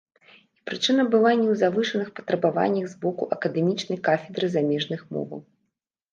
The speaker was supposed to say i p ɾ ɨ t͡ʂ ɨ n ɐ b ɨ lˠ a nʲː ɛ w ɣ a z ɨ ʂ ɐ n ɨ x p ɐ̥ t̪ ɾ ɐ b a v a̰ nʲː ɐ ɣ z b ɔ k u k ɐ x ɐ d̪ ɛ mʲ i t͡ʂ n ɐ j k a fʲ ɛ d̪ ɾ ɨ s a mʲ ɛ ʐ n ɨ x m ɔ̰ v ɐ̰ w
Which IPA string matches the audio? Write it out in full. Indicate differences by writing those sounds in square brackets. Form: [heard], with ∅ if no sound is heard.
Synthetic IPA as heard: i p ɾ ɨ t͡ʂ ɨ n ɐ b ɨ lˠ a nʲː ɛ w [z] a [v] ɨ ʂ ɐ n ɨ x p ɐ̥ t̪ ɾ ɐ b a v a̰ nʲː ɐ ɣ z b ɔ k u [ʔ] ɐ [k] ɐ d̪ ɛ mʲ i t͡ʂ n ɐ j k a fʲ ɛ d̪ ɾ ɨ [z] a mʲ ɛ ʐ n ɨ x m ɔ̰ v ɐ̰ w

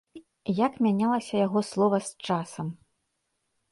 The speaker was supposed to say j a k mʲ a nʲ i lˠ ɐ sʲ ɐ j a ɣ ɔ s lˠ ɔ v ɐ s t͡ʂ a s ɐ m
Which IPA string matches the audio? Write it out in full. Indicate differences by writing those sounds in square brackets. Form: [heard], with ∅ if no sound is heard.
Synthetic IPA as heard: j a k mʲ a nʲ [a] lˠ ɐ sʲ ɐ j a ɣ ɔ s lˠ ɔ v ɐ s t͡ʂ a s ɐ m

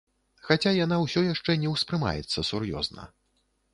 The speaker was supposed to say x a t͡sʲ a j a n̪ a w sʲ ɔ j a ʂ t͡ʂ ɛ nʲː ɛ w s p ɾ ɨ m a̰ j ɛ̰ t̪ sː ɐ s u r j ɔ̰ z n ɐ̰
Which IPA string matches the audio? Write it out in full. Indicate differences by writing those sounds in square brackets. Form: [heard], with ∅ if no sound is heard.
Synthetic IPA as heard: x a t͡sʲ a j a n̪ a w sʲ ɔ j a ʂ t͡ʂ ɛ [nʲ] ɛ w s p ɾ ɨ m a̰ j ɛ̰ t̪ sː ɐ s u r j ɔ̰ z n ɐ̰

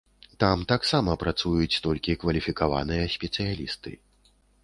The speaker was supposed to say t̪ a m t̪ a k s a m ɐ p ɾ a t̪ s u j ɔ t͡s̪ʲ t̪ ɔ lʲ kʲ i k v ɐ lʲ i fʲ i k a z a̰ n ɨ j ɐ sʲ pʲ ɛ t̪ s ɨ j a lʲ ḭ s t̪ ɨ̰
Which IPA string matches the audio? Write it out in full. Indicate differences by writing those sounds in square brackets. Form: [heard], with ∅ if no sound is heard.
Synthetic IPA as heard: t̪ a m t̪ a k s a m ɐ p ɾ a t̪ s u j [u] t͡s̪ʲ t̪ ɔ lʲ kʲ i k v ɐ lʲ i fʲ i k a [v] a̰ n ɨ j ɐ sʲ pʲ ɛ t̪ s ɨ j a lʲ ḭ s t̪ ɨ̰

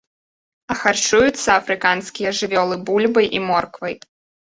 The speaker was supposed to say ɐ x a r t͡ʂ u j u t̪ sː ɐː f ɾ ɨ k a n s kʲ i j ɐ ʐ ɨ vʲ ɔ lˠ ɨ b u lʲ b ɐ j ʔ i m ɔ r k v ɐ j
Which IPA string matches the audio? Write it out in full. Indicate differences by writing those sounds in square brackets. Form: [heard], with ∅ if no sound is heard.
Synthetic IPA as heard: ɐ x a r t͡ʂ u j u t̪ sː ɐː f ɾ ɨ k a n s kʲ i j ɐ ʐ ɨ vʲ ɔ lˠ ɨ b u lʲ b ɐ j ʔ i m ɔ r k v ɐ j

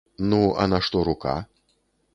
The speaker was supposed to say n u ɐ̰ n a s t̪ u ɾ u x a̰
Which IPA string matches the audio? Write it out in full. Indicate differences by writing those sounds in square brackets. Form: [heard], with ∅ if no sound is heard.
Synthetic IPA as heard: n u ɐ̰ n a [ʂ] t̪ [ɔ] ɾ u [k] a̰

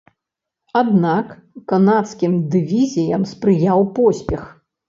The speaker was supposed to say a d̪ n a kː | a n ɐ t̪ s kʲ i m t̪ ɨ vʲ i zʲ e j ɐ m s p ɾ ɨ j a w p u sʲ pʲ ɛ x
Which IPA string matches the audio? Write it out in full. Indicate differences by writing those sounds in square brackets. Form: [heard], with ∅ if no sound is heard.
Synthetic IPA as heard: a d̪ n a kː | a n [a] t̪ s kʲ i m [d̪] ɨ vʲ i zʲ [i] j ɐ m s p ɾ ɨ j a w p [ɔ] sʲ pʲ ɛ x

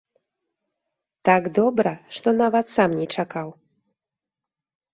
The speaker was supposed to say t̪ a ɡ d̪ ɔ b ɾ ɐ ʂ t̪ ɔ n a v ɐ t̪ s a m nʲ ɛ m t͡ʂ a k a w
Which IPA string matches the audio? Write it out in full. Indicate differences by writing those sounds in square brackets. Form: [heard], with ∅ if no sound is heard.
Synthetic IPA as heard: t̪ a ɡ d̪ ɔ b ɾ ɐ ʂ t̪ ɔ n a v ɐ t̪ s a m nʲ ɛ [∅] t͡ʂ a k a w

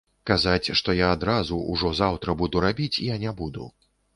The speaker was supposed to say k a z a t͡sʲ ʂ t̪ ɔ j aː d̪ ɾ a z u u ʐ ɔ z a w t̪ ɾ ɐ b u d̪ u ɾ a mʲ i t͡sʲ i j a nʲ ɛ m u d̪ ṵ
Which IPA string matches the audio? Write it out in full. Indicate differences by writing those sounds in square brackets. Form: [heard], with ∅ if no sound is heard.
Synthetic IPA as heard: k a z a t͡sʲ ʂ t̪ ɔ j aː d̪ ɾ a z u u ʐ ɔ z a w t̪ ɾ ɐ b u d̪ u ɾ a [bʲ] i t͡sʲ i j a nʲ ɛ [b] u d̪ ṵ

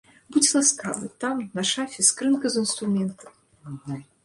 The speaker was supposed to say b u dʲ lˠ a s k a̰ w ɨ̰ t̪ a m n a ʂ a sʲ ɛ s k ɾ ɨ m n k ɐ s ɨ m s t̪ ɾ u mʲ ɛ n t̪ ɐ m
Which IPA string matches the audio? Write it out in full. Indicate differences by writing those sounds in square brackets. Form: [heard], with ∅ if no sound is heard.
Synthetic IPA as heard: b u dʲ lˠ a s k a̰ [v] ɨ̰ t̪ a m n a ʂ a [fʲ] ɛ s k ɾ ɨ [∅] n k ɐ [z] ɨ [n] s t̪ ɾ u mʲ ɛ n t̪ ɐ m

